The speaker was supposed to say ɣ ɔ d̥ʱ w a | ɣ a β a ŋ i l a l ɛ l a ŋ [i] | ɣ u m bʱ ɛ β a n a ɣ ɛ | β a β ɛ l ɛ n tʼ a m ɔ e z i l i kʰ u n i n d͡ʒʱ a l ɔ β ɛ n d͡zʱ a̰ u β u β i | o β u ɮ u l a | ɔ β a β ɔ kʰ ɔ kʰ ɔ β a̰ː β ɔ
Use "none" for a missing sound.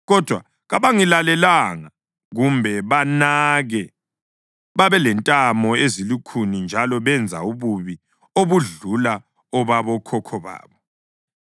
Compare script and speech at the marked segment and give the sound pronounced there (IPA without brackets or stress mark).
a